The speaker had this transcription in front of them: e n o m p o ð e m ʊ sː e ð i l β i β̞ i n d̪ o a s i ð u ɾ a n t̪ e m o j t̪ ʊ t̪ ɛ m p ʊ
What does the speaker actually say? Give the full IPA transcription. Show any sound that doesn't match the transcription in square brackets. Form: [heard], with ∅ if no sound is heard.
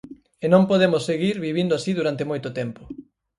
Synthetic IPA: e n [õ] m p o ð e m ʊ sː e [ɣ] i [ɾ] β i β̞ i n d̪ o a s i ð u ɾ a n t̪ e m o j t̪ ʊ t̪ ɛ m p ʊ

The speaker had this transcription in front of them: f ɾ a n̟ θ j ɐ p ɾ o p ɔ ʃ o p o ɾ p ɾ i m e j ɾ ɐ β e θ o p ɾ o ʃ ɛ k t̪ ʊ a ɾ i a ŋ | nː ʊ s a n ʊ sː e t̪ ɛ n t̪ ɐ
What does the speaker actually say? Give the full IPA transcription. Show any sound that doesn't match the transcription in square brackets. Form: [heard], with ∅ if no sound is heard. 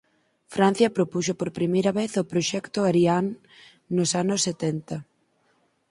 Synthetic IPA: f ɾ a n̟ θ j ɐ p ɾ o p [u] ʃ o p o ɾ p ɾ i m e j ɾ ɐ β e θ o p ɾ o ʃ ɛ k t̪ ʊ a ɾ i a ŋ | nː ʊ s a n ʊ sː e t̪ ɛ n t̪ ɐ

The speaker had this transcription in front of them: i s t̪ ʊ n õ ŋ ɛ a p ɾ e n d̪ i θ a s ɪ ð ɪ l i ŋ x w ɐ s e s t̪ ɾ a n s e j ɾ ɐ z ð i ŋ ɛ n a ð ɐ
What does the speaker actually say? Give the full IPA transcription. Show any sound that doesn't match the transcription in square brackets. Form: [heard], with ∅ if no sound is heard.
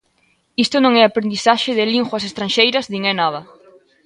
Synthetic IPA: i s t̪ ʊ n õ ŋ ɛ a p ɾ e n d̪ i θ a [ʃ] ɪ ð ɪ l i ŋ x w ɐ s e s t̪ ɾ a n [ʃ] e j ɾ ɐ z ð i ŋ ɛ n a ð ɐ

